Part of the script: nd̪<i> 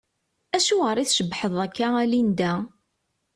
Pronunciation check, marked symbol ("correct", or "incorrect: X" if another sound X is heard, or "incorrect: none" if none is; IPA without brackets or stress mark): incorrect: æ